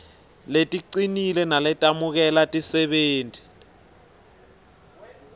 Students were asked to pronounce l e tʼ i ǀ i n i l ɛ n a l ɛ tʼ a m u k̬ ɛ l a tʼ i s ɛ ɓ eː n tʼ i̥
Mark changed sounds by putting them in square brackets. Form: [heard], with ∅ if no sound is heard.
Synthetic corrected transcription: l e tʼ i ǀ i n i l ɛ n a l ɛ tʼ a m u k̬ ɛ l a tʼ i s ɛ ɓ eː n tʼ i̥